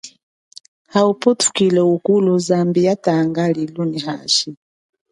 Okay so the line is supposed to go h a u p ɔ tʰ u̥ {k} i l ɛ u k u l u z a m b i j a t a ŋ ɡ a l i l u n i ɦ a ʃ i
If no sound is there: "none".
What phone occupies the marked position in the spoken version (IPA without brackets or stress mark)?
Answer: k